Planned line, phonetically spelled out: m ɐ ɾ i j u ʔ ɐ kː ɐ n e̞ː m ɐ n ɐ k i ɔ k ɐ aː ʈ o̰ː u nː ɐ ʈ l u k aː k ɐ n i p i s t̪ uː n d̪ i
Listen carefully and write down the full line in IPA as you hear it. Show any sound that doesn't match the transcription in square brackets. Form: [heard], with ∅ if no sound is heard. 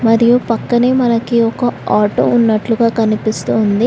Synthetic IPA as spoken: m ɐ ɾ i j u [p] ɐ kː ɐ n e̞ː m ɐ n ɐ k i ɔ k ɐ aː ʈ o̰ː u nː ɐ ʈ l u [ɡ] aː k ɐ n i p i s t̪ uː n d̪ i